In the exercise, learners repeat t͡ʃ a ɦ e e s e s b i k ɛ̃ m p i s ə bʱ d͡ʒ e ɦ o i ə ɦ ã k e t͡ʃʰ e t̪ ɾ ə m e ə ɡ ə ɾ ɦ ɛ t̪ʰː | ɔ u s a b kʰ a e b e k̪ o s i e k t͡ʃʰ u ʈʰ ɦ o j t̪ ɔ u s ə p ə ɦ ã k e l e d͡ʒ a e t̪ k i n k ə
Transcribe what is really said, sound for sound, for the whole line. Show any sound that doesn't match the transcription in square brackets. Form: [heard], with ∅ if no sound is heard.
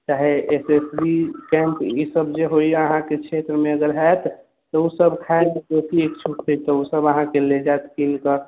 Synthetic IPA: t͡ʃ a ɦ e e s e s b i k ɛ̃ m p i s ə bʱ d͡ʒ e ɦ o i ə ɦ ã k e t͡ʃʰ e t̪ ɾ ə m e ə ɡ ə ɾ ɦ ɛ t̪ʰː | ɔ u s [ə] b kʰ a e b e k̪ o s i e k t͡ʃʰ u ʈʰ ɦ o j t̪ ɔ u s ə [b] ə ɦ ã k e l e d͡ʒ a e t̪ k i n k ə